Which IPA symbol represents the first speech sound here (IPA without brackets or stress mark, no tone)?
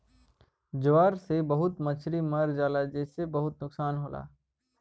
d͡ʒ